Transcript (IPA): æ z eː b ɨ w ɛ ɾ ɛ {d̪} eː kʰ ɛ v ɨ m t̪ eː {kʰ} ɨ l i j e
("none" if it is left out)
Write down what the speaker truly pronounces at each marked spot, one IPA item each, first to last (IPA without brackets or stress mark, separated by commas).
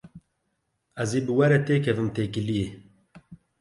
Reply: t̪, k